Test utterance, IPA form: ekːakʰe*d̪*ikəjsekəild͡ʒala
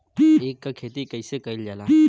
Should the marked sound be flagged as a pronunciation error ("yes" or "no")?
yes